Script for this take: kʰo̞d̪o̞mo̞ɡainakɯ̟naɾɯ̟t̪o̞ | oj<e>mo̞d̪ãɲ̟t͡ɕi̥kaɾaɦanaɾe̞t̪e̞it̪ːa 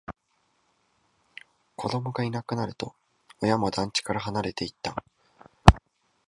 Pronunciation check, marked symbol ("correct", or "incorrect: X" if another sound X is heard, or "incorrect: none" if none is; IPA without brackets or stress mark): incorrect: a